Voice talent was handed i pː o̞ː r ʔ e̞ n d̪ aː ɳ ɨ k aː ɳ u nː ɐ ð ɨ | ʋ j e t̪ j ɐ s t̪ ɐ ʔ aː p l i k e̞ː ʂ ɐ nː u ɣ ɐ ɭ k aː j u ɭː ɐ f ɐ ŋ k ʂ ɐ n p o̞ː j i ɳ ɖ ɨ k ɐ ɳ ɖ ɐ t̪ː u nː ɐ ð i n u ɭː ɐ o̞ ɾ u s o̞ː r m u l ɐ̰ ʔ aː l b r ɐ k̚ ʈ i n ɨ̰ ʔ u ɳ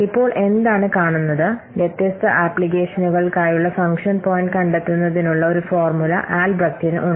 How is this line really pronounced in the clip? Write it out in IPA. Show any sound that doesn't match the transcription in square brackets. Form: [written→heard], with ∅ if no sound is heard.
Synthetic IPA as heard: i pː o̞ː [r→ɭ] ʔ e̞ n d̪ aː ɳ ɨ k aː ɳ u nː ɐ ð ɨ | ʋ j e t̪ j ɐ s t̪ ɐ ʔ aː p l i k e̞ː ʂ ɐ [nː→n] u ɣ ɐ ɭ k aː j u ɭː ɐ f ɐ ŋ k ʂ ɐ n p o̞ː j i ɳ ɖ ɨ k ɐ ɳ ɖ ɐ t̪ː u nː ɐ ð i n u ɭː ɐ o̞ ɾ u [s→f] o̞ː r m u l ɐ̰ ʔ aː l b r ɐ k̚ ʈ i n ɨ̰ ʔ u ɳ